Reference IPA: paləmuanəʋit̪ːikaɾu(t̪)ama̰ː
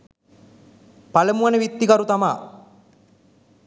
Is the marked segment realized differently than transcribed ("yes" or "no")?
no